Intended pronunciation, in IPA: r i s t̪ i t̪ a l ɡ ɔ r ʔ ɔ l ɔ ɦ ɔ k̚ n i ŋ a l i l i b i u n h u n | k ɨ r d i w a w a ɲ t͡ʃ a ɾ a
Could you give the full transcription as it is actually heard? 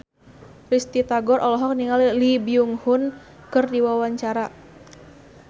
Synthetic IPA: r i s t̪ i t̪ a ɡ ɔ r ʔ ɔ l ɔ ɦ ɔ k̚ n i ŋ a l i l i b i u ŋ h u n | k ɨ r d i w a w a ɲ t͡ʃ a ɾ a